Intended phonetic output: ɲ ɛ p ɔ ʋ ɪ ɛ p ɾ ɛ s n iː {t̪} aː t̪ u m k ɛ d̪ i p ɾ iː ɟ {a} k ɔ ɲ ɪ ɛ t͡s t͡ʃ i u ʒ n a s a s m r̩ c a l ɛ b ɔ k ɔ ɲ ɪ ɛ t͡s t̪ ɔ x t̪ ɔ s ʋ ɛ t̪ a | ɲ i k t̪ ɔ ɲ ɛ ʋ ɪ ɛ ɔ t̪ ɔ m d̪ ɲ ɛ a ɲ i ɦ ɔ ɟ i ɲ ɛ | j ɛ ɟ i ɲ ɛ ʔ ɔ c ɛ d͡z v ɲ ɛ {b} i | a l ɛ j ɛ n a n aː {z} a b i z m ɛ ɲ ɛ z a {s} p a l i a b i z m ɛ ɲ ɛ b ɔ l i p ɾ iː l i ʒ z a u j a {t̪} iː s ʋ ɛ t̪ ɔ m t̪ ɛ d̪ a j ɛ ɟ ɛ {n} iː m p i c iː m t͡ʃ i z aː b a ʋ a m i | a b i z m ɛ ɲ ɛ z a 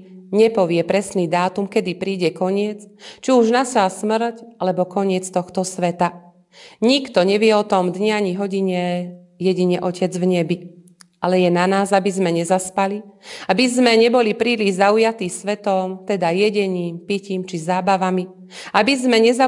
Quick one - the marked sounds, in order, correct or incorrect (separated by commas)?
incorrect, incorrect, correct, correct, correct, correct, incorrect